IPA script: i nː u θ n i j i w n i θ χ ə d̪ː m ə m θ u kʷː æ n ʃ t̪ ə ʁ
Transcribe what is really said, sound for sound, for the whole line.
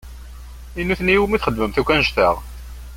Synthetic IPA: i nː u θ n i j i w m i θ χ ə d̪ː m ə m θ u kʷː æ n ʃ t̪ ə ʁ

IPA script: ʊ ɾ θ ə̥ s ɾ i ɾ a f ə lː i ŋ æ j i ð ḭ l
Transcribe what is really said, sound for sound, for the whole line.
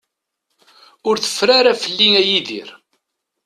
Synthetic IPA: ʊ ɾ θ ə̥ f ɾ a ɾ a f ə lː i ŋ æ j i ð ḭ ɾ

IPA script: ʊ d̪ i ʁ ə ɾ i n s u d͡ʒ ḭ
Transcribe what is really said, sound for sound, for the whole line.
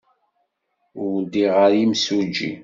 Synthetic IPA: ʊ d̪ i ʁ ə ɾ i m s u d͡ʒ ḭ

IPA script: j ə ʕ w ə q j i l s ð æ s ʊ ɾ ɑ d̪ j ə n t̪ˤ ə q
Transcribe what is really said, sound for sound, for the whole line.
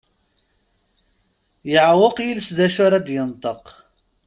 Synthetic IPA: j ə ʕ w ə q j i l s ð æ ʃ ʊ ɾ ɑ d̪ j ə n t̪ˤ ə q

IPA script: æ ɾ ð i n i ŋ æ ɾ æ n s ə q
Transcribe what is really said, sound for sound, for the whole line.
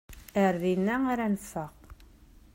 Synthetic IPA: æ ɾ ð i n æ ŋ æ ɾ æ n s ɑ q

